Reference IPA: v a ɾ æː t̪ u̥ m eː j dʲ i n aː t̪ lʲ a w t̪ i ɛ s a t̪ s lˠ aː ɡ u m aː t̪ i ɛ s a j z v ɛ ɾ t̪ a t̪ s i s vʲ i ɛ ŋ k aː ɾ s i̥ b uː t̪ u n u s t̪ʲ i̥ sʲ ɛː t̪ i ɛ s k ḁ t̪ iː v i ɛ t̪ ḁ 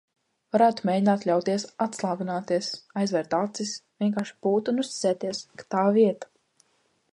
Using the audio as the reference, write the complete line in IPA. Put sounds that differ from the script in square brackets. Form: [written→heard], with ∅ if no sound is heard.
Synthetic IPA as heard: v a ɾ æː t̪ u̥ m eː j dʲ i n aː t̪ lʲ a w t̪ i ɛ s a t̪ s lˠ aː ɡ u [m→n] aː t̪ i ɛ s a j z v ɛ ɾ t̪ a t̪ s i s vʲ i ɛ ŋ k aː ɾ [s→ʃ] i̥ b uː t̪ u n u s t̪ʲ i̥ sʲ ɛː t̪ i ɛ s k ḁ t̪ [iː→aː] v i ɛ t̪ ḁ